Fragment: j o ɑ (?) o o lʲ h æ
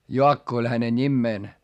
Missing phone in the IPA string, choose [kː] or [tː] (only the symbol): kː